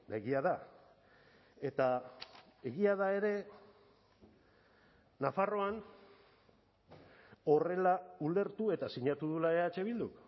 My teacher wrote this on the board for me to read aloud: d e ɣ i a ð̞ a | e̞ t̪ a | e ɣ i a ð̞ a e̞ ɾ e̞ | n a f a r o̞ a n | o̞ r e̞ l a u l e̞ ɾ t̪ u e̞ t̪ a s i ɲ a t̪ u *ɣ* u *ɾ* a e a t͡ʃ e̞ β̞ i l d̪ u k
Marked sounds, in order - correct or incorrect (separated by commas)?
incorrect, incorrect